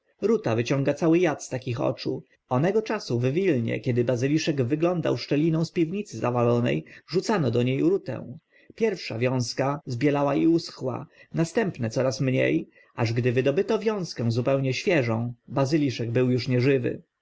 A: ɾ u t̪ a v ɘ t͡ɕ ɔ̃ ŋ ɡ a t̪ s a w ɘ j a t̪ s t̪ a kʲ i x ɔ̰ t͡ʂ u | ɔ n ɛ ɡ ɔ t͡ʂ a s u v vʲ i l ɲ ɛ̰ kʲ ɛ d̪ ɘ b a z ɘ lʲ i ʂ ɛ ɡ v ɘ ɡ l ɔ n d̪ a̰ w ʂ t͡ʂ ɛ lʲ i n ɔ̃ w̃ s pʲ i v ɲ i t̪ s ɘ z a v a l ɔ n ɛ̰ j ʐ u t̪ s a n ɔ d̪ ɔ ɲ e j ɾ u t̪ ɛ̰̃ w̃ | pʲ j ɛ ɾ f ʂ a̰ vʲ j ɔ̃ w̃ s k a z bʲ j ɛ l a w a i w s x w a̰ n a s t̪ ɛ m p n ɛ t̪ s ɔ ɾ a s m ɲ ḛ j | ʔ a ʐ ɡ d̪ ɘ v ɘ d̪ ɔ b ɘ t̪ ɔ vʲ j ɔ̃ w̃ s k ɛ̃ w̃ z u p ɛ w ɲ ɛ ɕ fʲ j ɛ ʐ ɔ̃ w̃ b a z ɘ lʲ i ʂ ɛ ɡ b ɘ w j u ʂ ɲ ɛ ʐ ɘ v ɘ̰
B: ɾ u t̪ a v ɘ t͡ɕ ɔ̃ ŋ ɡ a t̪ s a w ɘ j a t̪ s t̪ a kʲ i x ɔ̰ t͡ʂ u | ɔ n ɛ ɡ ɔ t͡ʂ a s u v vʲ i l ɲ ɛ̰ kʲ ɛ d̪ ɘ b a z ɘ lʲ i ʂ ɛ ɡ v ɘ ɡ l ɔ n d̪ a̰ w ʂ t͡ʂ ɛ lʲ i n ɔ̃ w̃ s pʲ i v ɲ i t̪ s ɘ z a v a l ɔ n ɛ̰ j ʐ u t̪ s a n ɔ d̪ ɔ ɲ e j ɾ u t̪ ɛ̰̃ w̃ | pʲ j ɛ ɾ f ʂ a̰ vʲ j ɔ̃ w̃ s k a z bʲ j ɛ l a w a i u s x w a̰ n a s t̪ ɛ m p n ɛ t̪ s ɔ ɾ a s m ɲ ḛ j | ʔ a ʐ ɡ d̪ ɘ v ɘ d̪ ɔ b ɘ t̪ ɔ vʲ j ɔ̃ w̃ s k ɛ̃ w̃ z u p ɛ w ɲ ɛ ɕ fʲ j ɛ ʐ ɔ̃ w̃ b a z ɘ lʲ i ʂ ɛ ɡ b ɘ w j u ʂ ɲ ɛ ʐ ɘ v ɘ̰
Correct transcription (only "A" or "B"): B